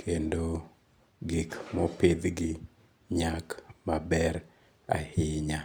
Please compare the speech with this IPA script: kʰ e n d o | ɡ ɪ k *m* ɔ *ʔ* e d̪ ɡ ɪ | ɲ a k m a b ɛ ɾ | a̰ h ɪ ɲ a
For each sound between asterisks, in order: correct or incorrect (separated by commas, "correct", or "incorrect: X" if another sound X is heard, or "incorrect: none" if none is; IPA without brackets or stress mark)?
correct, incorrect: p